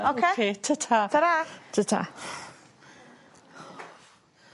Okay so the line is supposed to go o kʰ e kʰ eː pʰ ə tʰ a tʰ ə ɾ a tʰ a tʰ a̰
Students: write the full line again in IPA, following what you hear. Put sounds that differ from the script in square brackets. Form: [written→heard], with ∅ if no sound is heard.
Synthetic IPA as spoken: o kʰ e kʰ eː [pʰ→tʰ] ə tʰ a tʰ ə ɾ a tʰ [a→ə] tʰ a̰

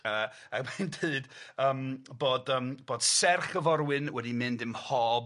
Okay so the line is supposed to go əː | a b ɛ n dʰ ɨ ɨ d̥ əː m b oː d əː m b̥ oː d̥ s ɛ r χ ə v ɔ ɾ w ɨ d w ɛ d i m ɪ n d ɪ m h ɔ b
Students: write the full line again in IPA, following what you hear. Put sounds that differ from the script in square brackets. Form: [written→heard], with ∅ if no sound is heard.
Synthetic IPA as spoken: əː | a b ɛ n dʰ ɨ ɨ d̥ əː m b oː d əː m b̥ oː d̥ s ɛ r χ ə v ɔ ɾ w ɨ [d→n] w ɛ d i m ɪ n d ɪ m h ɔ b

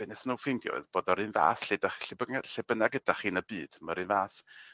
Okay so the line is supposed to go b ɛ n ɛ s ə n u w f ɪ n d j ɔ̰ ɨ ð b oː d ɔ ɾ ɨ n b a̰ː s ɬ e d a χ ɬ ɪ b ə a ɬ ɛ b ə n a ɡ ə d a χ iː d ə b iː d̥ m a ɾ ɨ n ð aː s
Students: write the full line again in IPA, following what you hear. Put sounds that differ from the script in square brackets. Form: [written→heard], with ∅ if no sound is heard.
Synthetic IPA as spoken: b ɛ n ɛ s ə n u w f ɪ n d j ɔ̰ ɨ ð b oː d ɔ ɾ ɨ n [b→v] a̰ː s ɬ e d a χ ɬ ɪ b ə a ɬ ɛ b ə n a ɡ ə d a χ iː [d→n] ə b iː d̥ m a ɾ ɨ n [ð→v] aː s

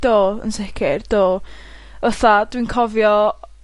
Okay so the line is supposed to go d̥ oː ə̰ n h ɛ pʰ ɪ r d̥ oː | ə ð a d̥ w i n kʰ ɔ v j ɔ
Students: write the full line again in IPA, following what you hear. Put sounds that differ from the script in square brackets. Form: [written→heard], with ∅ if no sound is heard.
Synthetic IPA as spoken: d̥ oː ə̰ n [h→s] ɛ [pʰ→kʰ] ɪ r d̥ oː | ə [ð→θ] a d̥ w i n kʰ ɔ v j ɔ

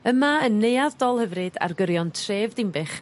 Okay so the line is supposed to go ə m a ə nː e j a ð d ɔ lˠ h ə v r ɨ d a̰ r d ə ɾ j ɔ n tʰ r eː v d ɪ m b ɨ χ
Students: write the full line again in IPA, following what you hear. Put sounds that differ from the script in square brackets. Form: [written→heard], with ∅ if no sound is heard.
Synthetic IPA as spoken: ə m a ə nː e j a ð d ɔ lˠ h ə v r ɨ d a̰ r [d→ɡ] ə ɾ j ɔ n tʰ r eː v d ɪ m b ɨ χ

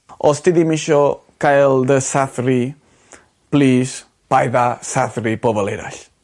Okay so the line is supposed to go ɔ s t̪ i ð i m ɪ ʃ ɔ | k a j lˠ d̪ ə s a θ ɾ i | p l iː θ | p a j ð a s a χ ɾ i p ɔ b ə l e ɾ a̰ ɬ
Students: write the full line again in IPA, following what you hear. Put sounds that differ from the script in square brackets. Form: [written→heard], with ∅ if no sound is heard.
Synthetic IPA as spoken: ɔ s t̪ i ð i m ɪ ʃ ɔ | k a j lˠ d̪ ə s a θ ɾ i | p l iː [θ→s] | p a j ð a s a [χ→θ] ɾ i p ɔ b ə l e ɾ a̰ ɬ

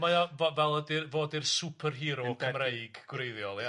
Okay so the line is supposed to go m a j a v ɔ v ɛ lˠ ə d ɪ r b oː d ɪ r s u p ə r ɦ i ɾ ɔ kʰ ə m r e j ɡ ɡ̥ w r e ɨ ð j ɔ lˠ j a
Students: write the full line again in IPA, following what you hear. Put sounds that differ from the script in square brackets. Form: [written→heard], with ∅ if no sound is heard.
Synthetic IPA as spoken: m a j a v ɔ v ɛ lˠ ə d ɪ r [b→v] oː d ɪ r s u [p→pʰ] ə r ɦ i ɾ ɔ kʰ ə m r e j ɡ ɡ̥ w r e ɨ ð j ɔ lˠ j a

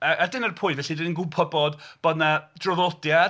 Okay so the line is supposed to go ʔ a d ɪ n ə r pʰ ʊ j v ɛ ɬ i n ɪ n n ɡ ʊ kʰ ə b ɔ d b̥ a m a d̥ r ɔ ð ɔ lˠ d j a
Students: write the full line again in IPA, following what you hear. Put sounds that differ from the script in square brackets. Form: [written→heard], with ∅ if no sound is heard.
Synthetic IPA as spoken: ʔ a d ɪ n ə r pʰ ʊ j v ɛ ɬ i [n→d] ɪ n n ɡ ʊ [kʰ→pʰ] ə b ɔ d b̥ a [m→n] a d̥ r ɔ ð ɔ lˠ d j a

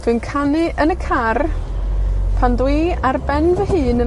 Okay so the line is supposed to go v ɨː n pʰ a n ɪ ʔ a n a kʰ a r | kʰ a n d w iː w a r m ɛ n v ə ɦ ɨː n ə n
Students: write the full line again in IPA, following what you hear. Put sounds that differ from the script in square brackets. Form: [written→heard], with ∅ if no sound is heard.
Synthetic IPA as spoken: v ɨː n [pʰ→kʰ] a n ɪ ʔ [a→ə] n [a→ə] kʰ a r | [kʰ→pʰ] a n d w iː [w→∅] a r [m→b] ɛ n v ə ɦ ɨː n ə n

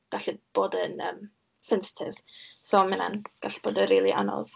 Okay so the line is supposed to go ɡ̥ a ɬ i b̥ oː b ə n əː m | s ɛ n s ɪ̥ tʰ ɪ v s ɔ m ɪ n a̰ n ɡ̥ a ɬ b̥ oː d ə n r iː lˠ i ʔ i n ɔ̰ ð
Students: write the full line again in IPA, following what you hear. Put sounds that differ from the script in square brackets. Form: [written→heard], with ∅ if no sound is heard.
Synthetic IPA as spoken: ɡ̥ a ɬ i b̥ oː [b→d] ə n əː m | s ɛ n s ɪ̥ tʰ ɪ v s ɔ m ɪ n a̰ n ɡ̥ a ɬ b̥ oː d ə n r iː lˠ i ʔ [i→a] n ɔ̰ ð

